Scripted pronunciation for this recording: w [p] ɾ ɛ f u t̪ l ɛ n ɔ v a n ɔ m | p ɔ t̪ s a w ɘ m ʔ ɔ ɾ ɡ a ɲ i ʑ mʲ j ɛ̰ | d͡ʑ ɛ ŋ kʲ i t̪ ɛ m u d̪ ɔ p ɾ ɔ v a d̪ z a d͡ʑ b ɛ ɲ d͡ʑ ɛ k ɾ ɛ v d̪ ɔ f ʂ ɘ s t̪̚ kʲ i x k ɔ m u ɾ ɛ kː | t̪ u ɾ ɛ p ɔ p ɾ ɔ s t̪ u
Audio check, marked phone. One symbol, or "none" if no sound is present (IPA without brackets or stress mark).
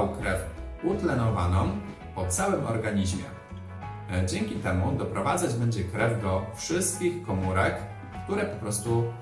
k